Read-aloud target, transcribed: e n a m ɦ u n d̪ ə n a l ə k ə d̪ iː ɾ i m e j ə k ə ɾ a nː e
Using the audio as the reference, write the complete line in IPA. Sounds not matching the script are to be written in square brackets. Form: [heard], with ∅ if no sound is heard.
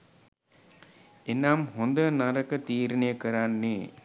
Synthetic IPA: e n a m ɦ [o] n d̪ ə n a [ɾ] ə k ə [t̪] iː ɾ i [n] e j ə k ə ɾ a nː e